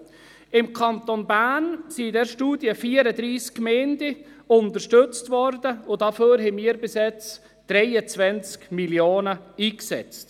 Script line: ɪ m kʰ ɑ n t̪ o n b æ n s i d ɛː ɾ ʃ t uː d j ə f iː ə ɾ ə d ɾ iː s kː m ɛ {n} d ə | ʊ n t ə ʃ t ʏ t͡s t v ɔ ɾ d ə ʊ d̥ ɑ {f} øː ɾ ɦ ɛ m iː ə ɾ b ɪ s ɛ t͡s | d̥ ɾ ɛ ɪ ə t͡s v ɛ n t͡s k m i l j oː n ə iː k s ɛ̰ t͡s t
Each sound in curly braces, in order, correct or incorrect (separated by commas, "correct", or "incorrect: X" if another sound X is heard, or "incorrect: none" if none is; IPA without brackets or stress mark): correct, correct